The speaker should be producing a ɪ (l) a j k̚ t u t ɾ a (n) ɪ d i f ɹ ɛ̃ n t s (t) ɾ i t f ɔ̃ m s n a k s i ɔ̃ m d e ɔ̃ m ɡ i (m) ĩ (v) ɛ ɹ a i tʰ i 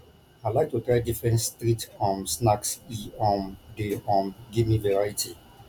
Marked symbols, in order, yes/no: yes, no, yes, yes, yes

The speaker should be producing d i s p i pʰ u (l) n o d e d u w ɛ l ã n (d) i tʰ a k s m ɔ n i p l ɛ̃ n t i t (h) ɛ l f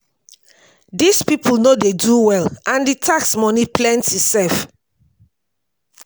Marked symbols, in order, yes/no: yes, yes, no

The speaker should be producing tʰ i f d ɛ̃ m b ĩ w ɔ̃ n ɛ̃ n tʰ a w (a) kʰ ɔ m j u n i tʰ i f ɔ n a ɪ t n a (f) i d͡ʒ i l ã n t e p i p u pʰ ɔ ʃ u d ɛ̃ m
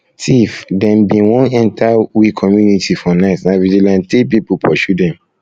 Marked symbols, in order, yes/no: no, no

